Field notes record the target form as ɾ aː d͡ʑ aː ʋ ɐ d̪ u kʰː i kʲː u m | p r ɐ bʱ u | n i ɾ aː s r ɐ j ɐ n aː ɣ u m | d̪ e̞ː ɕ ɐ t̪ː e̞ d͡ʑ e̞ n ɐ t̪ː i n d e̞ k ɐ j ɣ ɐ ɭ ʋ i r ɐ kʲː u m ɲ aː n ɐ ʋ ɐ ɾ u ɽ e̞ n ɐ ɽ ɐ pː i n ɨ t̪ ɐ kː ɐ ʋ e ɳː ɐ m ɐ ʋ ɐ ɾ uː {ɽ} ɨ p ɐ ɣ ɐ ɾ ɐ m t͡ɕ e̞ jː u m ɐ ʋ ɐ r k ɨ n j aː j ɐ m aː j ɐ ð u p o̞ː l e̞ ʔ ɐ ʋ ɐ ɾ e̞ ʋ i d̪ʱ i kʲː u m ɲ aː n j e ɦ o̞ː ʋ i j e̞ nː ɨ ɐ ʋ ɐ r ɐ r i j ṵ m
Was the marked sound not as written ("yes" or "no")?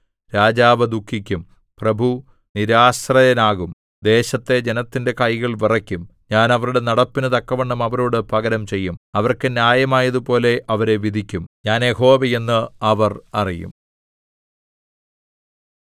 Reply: no